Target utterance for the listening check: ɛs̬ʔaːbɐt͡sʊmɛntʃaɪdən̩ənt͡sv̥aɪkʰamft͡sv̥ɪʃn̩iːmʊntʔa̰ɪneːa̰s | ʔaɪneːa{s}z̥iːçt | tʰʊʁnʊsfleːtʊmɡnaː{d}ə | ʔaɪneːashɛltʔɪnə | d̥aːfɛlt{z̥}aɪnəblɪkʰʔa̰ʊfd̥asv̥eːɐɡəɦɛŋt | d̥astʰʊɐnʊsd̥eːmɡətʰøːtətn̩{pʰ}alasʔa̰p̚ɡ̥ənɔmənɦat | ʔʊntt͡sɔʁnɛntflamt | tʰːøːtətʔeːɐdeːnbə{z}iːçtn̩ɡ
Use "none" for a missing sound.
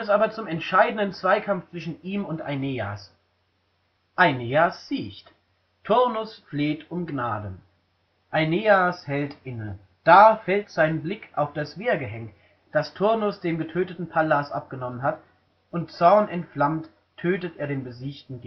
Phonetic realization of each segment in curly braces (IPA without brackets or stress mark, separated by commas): s, d, z̥, pʰ, z